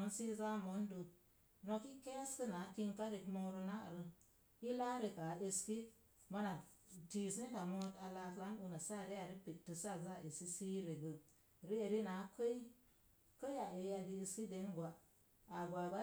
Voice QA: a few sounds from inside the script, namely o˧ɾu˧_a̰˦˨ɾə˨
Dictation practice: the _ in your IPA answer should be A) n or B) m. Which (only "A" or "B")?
A